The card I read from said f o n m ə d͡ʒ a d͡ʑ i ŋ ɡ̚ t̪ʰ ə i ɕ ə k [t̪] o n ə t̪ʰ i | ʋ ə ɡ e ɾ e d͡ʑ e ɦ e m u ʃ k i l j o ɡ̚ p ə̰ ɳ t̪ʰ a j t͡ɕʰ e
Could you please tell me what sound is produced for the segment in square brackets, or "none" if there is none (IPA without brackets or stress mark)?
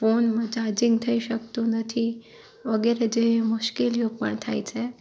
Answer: t̪